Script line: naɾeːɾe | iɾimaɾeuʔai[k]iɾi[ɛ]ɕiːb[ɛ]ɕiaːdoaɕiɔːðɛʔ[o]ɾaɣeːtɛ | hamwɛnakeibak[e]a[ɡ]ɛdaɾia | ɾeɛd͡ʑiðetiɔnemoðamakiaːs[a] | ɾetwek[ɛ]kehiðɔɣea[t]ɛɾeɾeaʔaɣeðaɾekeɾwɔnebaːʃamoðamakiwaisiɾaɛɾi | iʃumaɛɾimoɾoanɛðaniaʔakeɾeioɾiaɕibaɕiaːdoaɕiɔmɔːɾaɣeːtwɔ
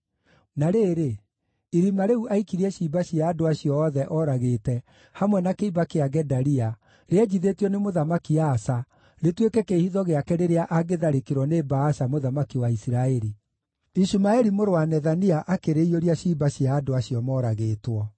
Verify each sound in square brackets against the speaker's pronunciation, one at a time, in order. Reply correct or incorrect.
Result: correct, correct, incorrect, incorrect, correct, correct, correct, correct, incorrect

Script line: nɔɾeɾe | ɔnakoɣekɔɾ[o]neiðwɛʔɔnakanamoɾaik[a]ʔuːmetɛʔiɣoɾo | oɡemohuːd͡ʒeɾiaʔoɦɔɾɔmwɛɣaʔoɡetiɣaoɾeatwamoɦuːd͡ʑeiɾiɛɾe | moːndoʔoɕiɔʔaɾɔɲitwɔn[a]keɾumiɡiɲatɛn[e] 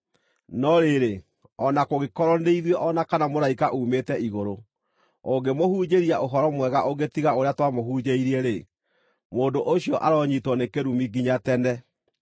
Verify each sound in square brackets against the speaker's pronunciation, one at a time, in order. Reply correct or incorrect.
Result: incorrect, correct, incorrect, incorrect

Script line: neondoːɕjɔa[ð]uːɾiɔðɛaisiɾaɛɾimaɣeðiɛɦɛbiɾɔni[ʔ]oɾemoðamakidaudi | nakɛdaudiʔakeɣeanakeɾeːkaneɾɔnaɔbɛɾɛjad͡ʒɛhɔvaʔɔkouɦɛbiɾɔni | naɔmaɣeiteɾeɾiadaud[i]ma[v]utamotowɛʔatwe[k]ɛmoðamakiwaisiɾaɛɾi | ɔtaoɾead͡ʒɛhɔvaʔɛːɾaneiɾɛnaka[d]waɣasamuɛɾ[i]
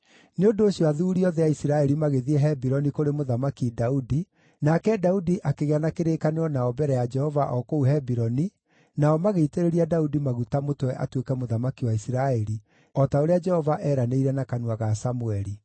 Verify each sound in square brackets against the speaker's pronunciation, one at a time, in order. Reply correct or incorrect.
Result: correct, incorrect, correct, incorrect, correct, incorrect, correct

